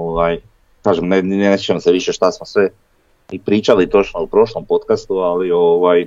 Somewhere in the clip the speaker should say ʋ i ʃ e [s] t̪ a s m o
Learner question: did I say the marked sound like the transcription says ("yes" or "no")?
no